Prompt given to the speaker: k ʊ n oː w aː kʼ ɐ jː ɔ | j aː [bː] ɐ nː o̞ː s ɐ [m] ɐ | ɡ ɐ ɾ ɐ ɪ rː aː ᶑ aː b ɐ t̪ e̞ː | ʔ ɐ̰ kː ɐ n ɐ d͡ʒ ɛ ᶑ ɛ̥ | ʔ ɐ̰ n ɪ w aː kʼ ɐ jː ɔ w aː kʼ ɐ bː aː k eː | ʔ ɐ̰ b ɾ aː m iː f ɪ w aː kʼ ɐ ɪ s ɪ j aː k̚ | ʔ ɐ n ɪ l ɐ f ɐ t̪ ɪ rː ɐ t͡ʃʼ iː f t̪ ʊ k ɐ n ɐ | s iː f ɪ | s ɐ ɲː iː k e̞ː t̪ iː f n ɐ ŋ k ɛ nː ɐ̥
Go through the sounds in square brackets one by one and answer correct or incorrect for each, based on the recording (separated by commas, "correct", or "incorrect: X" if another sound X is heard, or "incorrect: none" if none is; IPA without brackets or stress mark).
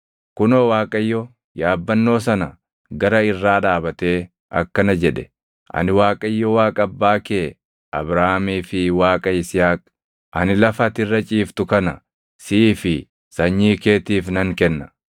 correct, incorrect: n